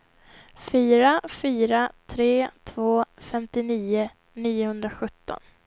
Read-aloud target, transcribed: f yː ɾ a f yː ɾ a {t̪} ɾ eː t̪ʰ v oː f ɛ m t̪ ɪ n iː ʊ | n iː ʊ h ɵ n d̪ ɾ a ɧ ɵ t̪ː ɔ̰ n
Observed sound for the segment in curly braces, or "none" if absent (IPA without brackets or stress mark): t̪ʰ